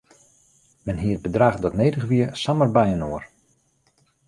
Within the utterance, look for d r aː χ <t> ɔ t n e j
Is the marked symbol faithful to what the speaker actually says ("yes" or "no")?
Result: no